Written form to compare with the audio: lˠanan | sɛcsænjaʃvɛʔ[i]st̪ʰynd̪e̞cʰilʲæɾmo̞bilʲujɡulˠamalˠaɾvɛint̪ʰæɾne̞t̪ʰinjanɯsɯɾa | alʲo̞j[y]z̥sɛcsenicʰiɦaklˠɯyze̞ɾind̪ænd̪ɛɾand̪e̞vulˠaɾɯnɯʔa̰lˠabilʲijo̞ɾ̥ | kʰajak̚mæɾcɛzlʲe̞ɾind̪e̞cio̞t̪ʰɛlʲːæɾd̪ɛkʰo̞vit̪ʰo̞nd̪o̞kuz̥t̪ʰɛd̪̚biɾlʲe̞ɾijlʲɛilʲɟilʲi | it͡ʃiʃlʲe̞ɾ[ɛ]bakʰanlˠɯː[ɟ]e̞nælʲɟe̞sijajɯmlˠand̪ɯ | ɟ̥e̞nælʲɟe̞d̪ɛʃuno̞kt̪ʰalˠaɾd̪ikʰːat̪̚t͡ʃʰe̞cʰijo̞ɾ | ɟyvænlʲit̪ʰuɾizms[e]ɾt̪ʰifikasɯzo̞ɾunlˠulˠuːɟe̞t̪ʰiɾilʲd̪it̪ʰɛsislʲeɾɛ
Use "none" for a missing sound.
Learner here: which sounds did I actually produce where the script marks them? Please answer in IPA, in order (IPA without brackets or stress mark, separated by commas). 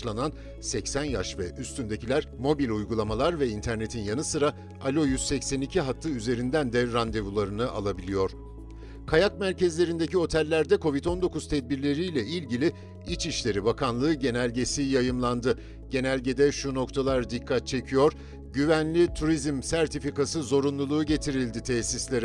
y, y, i, ɟ, æ